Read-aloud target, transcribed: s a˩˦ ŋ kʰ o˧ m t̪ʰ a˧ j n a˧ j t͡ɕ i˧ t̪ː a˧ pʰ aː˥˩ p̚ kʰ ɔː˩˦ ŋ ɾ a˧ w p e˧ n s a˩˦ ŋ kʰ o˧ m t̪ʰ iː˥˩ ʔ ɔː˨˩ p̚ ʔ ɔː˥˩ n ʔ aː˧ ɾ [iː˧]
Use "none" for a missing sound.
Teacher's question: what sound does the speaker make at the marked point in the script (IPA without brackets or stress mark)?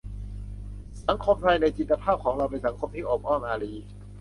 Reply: iː˧